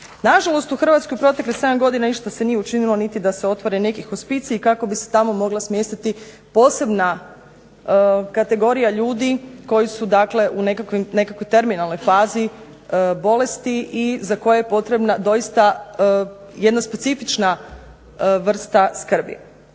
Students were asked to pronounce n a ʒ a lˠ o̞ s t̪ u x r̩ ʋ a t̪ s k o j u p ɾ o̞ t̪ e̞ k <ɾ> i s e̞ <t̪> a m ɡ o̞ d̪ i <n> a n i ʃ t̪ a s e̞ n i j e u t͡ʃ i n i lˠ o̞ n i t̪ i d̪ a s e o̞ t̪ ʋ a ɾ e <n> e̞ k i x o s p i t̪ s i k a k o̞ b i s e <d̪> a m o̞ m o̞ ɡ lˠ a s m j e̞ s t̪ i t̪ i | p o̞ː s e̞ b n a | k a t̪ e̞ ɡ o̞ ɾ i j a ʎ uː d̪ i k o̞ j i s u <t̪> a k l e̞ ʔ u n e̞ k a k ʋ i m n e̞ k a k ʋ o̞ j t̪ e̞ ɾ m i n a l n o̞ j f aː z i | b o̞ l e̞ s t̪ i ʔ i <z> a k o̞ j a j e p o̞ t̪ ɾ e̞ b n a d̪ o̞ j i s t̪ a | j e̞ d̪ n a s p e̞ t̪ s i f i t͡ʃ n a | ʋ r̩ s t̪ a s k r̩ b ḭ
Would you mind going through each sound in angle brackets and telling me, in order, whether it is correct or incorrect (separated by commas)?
incorrect, incorrect, correct, correct, incorrect, incorrect, correct